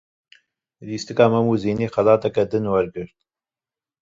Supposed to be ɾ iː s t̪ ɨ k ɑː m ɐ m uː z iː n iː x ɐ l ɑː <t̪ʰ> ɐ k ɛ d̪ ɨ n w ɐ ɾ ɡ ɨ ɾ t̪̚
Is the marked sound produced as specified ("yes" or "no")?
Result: no